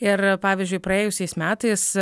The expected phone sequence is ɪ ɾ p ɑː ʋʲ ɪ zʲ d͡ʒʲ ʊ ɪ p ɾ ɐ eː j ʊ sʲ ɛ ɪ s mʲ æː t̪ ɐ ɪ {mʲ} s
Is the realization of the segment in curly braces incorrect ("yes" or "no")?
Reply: yes